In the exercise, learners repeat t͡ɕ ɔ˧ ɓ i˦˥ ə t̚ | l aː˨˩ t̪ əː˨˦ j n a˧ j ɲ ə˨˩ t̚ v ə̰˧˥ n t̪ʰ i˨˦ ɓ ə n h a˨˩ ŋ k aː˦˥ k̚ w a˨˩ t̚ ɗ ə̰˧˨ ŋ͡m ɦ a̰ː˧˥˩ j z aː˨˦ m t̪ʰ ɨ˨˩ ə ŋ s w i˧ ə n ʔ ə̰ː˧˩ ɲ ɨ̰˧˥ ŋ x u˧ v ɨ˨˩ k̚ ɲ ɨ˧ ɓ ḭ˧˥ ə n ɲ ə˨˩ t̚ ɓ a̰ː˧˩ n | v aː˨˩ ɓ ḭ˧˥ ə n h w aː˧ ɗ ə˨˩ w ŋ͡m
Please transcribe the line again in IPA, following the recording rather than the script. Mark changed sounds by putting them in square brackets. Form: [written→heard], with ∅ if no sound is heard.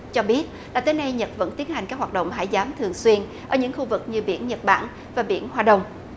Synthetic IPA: t͡ɕ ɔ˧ ɓ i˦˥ ə t̚ | l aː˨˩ t̪ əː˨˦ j n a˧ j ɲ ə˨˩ t̚ v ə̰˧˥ n [t̪ʰ→t̪] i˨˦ [ɓ→∅] ə n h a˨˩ ŋ k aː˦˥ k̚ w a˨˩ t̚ ɗ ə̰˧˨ ŋ͡m ɦ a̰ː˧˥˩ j z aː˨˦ m t̪ʰ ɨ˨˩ ə ŋ s w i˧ ə n ʔ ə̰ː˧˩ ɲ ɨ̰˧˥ ŋ x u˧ v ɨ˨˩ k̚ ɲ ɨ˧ ɓ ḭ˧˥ ə n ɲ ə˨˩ t̚ ɓ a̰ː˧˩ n | v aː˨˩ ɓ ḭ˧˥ ə n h w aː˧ ɗ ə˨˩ w ŋ͡m